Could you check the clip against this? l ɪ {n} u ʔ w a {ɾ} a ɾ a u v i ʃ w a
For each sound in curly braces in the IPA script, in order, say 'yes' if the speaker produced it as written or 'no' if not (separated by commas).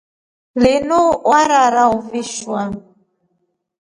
yes, yes